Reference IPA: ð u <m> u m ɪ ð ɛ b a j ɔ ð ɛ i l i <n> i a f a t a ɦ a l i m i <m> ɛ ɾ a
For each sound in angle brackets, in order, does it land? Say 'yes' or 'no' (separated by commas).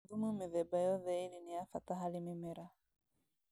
yes, yes, yes